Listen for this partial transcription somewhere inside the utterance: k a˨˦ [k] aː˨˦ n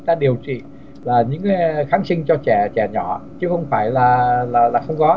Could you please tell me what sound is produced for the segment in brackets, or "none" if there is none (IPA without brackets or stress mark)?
x